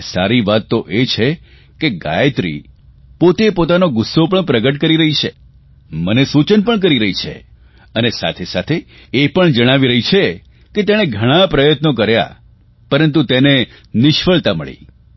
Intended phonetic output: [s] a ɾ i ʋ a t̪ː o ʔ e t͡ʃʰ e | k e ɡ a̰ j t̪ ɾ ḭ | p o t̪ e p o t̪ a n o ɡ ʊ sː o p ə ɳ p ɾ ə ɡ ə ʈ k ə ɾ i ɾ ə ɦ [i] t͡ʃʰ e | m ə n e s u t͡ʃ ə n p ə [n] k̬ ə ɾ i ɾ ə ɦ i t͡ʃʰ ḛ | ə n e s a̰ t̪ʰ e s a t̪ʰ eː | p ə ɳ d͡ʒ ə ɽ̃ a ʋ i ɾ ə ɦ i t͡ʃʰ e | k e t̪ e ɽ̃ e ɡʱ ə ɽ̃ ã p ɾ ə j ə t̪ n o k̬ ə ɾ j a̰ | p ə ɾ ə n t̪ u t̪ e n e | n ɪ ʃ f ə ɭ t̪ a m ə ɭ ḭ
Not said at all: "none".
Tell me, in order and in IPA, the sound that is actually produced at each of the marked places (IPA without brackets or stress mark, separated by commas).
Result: s, i, ɳ